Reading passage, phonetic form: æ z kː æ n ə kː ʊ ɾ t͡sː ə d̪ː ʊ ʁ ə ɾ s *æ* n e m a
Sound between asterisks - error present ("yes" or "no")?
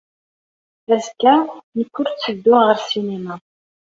yes